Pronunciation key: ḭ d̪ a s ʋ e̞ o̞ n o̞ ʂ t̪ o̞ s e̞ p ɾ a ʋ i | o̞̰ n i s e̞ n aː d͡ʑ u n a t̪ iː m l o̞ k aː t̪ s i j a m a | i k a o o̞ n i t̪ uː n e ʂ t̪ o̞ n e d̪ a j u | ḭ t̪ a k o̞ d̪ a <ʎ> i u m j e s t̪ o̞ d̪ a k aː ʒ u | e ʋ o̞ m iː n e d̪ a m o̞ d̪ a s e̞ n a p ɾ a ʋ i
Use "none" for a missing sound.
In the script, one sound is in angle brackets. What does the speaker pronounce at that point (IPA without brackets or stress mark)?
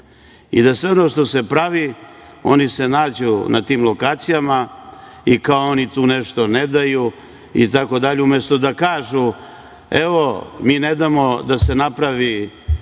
ʎ